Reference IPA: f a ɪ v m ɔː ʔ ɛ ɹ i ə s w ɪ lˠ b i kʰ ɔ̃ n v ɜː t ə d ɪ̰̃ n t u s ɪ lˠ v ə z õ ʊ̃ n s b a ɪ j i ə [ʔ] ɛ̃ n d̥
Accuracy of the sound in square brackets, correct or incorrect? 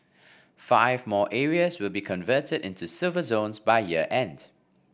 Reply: correct